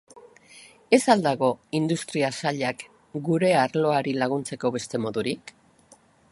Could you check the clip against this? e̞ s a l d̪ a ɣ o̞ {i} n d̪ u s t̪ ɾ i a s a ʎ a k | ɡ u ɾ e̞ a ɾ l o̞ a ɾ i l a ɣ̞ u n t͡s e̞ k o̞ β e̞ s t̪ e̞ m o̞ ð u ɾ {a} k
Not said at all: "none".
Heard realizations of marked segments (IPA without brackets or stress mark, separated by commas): i, i